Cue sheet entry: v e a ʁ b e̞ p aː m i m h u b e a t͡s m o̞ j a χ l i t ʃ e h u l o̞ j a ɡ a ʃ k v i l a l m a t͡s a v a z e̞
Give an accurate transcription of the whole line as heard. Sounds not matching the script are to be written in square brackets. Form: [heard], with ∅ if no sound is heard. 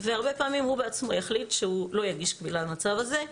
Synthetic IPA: v e a ʁ b e̞ p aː m i m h u b e a t͡s m o̞ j a χ l i t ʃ e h u l o̞ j a ɡ [i] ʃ k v i l a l m a t͡s a v a z e̞

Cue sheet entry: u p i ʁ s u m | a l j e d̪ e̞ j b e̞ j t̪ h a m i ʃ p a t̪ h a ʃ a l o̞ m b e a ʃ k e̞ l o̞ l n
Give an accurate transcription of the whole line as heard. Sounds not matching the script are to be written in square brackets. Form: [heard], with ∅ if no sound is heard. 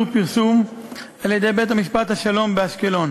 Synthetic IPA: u p i ʁ s u m | a l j e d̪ e̞ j b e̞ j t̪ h a m i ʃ p a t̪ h a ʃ a l o̞ m b e a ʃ k e̞ l o̞ [∅] n

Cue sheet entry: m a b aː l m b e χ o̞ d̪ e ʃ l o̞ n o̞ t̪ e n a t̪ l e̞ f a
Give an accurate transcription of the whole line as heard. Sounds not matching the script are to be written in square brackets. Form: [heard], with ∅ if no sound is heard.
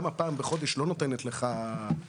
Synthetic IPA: m a [p] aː [∅] m b e χ o̞ d̪ e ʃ l o̞ n o̞ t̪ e n [e] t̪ l e̞ [χ] a

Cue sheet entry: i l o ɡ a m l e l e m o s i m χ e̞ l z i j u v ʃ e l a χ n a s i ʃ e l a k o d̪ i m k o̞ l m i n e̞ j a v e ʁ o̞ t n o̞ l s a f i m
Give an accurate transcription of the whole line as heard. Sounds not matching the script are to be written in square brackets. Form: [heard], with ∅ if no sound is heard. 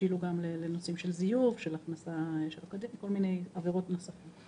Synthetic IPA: i l [u] ɡ a m l e l e [n] o s i m [ʃ] e̞ l z i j u v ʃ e l a χ n a s [a] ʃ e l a k o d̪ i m k o̞ l m i n e̞ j a v e ʁ o̞ t n o̞ [∅] s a f i m

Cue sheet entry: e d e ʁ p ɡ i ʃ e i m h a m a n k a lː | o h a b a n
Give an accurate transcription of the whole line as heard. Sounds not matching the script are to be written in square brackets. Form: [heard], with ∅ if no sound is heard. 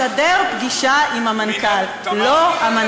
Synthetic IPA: [a] d e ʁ p ɡ i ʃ [a] i m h a m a n k a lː | o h a [m] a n

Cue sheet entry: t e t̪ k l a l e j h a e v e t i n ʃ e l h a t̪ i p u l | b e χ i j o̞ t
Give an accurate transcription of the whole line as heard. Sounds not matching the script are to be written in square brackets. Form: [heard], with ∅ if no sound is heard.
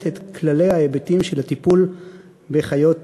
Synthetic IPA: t e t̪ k l a l e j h a e [b] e t i [m] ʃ e l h a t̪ i p u l | b e χ [a] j o̞ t

